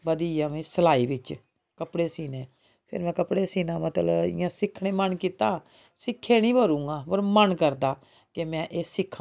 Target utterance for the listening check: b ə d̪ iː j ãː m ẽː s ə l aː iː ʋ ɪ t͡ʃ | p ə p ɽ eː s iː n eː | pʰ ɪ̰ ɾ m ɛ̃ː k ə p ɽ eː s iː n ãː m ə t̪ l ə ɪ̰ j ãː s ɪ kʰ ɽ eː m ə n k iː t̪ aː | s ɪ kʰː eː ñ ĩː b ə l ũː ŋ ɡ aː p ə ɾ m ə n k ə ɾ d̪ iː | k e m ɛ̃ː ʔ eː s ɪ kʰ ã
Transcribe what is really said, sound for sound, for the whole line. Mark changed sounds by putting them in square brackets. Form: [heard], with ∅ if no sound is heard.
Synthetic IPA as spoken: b ə d̪ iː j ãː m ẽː s ə l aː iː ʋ ɪ t͡ʃ | [k] ə p ɽ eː s iː n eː | pʰ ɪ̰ ɾ m ɛ̃ː k ə p ɽ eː s iː n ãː m ə t̪ l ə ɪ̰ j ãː s ɪ kʰ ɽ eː m ə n k iː t̪ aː | s ɪ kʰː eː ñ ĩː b ə [ɾ] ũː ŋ ɡ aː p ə ɾ m ə n k ə ɾ d̪ [aː] | k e m ɛ̃ː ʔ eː s ɪ kʰ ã

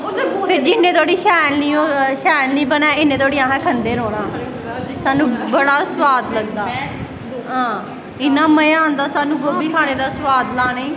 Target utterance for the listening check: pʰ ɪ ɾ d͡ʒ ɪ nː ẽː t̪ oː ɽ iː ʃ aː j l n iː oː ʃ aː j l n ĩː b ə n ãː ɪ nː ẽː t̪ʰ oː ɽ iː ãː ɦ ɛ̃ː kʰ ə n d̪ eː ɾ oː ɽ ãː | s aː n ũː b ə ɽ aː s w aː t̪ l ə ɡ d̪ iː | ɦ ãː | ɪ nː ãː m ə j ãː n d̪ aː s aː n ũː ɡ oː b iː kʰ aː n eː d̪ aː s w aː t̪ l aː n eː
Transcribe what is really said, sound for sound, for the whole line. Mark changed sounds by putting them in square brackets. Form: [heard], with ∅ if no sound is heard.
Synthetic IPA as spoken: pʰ ɪ ɾ d͡ʒ ɪ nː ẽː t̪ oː ɽ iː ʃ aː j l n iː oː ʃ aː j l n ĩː b ə n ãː ɪ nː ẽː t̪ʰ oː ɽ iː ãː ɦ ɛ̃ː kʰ ə n d̪ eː ɾ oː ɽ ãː | s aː n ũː b ə ɽ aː s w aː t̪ l ə ɡ d̪ [aː] | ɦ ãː | ɪ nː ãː m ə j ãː n d̪ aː s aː n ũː ɡ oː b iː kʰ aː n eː d̪ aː s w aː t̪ l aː n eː

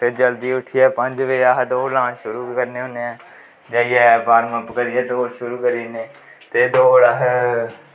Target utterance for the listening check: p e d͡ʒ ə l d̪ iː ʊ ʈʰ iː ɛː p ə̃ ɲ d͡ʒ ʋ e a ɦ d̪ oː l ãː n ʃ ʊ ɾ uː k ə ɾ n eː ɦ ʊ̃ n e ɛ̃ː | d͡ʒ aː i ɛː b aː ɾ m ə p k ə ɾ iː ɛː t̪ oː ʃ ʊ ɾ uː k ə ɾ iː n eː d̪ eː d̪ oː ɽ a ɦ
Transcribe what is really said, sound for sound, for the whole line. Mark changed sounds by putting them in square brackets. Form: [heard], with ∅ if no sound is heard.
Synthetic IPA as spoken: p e d͡ʒ ə l d̪ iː ʊ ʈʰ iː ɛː p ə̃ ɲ d͡ʒ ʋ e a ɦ d̪ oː l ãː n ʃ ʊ ɾ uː k ə ɾ n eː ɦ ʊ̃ n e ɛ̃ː | d͡ʒ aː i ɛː b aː ɾ m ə p k ə ɾ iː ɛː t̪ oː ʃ ʊ ɾ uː k ə ɾ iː n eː [t̪] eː d̪ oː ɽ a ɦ

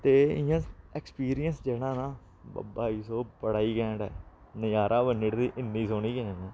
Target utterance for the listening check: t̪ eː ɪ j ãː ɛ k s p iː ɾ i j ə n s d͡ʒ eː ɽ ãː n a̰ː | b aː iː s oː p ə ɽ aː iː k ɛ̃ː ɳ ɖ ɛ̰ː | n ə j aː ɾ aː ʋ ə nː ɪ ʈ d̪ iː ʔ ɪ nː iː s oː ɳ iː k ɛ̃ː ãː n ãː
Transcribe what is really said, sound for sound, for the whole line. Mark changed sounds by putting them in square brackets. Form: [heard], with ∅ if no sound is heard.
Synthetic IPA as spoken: t̪ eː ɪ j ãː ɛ k s p iː ɾ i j ə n s d͡ʒ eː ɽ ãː n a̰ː | b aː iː s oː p ə ɽ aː iː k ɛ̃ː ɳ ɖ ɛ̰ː | n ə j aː ɾ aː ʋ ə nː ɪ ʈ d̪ iː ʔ ɪ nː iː s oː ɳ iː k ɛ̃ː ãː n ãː

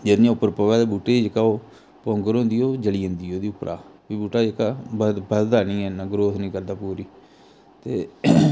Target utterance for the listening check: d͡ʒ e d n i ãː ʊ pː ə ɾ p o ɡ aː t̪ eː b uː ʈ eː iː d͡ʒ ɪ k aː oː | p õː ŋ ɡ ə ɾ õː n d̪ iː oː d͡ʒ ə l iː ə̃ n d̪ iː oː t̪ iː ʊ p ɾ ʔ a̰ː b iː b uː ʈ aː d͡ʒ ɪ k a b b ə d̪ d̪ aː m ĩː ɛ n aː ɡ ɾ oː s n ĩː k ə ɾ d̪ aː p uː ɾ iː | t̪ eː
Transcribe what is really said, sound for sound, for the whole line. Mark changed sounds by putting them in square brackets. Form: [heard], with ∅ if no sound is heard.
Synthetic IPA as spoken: d͡ʒ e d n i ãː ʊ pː ə ɾ p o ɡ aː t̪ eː b uː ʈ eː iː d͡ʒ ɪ k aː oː | p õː ŋ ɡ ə ɾ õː n d̪ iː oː d͡ʒ ə l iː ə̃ n d̪ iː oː [d̪] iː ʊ p ɾ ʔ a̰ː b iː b uː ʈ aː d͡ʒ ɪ k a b b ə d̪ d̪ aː [n] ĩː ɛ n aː ɡ ɾ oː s n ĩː k ə ɾ d̪ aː p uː ɾ iː | t̪ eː

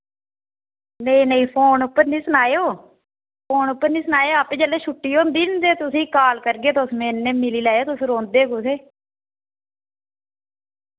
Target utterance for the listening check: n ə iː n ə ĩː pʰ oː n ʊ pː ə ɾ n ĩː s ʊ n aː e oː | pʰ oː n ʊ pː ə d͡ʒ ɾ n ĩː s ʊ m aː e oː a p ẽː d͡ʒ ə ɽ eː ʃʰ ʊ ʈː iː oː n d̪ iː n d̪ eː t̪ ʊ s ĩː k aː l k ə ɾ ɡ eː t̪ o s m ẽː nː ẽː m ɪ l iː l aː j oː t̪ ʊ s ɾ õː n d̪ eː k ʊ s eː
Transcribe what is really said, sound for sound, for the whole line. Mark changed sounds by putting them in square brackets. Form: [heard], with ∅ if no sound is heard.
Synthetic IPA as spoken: n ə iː n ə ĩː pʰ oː n ʊ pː ə ɾ n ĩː s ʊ n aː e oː | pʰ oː n ʊ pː ə [∅] ɾ n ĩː s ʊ [n] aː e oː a p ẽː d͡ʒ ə [l] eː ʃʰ ʊ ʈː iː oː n d̪ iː n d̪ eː t̪ ʊ s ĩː k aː l k ə ɾ ɡ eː t̪ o s m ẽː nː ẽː m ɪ l iː l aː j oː t̪ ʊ s ɾ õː n d̪ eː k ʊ s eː

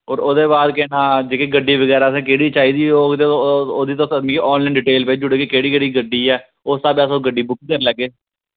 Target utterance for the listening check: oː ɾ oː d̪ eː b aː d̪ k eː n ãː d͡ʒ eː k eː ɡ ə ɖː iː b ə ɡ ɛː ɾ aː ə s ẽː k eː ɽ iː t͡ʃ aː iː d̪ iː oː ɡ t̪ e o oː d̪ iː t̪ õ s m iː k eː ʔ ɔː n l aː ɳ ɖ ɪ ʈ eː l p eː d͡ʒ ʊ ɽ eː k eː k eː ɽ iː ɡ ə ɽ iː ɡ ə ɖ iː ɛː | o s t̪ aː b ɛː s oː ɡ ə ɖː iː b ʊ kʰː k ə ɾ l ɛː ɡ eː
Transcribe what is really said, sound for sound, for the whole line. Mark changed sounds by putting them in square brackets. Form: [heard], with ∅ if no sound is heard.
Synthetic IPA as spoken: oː ɾ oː d̪ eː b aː d̪ k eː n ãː d͡ʒ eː k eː ɡ ə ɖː iː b ə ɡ ɛː ɾ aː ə s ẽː k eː ɽ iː t͡ʃ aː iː d̪ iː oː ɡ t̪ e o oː d̪ iː t̪ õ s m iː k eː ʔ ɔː n l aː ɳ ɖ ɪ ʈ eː l p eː d͡ʒ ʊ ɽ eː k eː k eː ɽ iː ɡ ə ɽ iː ɡ ə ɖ iː ɛː | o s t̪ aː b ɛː s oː ɡ ə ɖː iː b ʊ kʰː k ə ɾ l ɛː ɡ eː

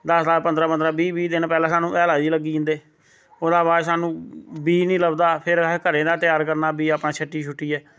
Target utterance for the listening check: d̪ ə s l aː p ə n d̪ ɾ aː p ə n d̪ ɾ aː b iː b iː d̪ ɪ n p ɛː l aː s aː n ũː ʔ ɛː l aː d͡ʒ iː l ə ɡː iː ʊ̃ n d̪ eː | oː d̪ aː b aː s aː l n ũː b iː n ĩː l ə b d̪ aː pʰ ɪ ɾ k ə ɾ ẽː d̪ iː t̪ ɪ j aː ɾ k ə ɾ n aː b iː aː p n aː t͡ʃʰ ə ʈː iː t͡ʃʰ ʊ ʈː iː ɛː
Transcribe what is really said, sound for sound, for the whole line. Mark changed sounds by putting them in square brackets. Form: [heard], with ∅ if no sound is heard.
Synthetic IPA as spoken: d̪ ə s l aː p ə n d̪ ɾ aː p ə n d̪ ɾ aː b iː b iː d̪ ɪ n p ɛː l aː s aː n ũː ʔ ɛː l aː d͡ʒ iː l ə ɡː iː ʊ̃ n d̪ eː | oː d̪ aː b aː s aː [∅] n ũː b iː n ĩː l ə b d̪ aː pʰ ɪ ɾ k ə ɾ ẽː d̪ [aː] t̪ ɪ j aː ɾ k ə ɾ n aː b iː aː p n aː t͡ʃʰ ə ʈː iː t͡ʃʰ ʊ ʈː iː ɛː

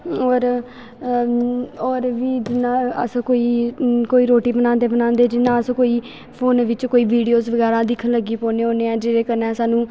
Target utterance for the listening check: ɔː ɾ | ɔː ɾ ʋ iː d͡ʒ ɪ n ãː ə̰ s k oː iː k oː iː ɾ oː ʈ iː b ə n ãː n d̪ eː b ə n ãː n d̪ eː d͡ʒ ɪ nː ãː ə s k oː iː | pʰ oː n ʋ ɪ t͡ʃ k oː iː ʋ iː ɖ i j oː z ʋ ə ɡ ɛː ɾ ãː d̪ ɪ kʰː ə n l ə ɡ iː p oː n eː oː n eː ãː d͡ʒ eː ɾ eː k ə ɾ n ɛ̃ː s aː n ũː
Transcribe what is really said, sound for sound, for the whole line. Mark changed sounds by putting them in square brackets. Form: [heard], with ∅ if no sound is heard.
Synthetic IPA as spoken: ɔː ɾ | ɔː ɾ ʋ iː d͡ʒ ɪ n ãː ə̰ s k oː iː k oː iː ɾ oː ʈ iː b ə n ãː n d̪ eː b ə n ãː n d̪ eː d͡ʒ ɪ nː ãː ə s k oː iː | pʰ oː n ʋ ɪ t͡ʃ k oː iː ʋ iː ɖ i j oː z ʋ ə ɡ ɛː ɾ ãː d̪ ɪ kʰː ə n l ə ɡ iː p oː n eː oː n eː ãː d͡ʒ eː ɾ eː k ə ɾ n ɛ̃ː s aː n ũː

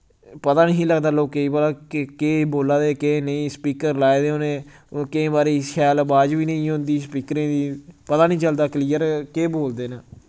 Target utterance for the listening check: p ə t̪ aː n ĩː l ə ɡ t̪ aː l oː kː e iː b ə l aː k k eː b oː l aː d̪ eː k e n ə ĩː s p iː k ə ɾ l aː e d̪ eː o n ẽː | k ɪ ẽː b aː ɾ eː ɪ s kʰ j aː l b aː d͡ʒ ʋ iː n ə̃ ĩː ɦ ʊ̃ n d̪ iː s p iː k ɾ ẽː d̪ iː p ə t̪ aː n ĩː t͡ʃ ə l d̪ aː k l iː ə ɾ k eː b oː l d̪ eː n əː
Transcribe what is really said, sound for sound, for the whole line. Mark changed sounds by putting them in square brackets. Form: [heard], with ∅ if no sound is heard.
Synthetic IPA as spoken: p ə t̪ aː n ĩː l ə ɡ [d̪] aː l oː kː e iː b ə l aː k k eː b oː l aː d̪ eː k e n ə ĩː s p iː k ə ɾ l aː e d̪ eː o n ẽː | k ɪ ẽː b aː ɾ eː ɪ s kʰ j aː l b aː d͡ʒ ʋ iː n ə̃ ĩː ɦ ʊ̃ n d̪ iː s p iː k ɾ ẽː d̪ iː p ə t̪ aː n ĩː t͡ʃ ə l d̪ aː k l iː ə ɾ k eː b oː l d̪ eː n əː

